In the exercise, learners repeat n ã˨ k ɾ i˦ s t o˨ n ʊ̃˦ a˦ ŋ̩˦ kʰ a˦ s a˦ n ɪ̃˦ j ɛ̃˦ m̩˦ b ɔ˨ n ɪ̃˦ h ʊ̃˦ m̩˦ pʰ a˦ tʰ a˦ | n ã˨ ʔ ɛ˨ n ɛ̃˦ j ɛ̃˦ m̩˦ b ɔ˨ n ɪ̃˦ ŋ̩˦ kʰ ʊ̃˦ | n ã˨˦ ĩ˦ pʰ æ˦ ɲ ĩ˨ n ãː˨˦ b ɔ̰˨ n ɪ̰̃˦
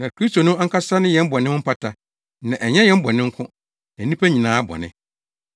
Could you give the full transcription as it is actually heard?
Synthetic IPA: n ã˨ k ɾ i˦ s t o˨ n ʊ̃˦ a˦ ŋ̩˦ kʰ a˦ s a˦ n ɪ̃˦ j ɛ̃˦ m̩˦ b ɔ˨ n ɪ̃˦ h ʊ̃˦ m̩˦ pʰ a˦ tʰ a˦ | n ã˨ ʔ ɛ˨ ɲ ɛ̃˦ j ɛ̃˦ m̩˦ b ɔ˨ n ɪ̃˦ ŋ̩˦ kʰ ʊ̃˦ | n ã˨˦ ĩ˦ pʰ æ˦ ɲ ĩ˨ n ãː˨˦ b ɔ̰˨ n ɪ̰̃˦